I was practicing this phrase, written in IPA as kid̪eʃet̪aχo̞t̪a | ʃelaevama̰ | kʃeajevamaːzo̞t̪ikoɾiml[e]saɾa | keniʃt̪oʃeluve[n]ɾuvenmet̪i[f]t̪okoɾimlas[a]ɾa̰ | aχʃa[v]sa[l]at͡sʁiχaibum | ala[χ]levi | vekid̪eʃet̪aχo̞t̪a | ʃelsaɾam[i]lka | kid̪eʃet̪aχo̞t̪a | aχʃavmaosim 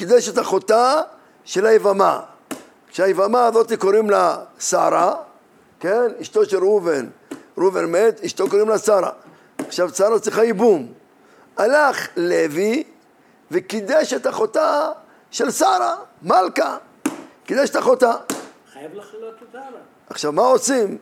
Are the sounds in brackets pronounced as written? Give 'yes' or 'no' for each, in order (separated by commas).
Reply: no, yes, no, yes, yes, no, yes, no